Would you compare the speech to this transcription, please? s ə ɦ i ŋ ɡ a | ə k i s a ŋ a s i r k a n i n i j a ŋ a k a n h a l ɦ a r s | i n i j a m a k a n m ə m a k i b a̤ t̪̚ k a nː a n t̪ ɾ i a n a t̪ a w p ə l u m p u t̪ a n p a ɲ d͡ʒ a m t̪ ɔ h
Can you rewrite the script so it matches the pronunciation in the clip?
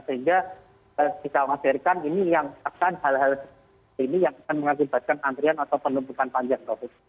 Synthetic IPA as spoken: s ə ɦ i ŋ ɡ a | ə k i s a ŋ a s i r k a n i n i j a ŋ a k a n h a l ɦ a l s | i n i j a ŋ a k a n m ə ŋ a k i b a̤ t̪̚ k a n a n t̪ ɾ i a n a t̪ a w p ə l u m p u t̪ a n p a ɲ d͡ʒ a ŋ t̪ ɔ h